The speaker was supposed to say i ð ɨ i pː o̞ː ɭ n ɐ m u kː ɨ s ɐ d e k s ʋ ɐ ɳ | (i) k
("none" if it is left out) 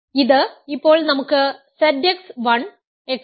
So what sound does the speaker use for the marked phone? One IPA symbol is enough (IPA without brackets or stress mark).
e